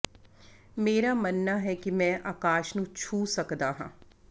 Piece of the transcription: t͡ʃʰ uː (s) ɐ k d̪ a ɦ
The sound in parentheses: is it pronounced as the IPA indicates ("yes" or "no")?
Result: yes